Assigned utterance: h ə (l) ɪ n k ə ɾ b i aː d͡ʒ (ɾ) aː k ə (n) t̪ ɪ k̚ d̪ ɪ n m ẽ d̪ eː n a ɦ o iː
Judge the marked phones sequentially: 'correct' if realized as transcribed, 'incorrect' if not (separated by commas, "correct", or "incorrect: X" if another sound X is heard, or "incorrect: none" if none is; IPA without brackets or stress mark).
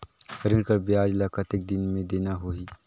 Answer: incorrect: ɾ, incorrect: l, incorrect: none